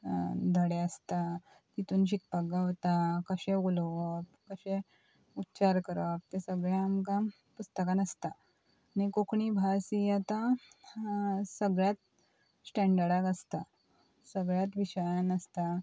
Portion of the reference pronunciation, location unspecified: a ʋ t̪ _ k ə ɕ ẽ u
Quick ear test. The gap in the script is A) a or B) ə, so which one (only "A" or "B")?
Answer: A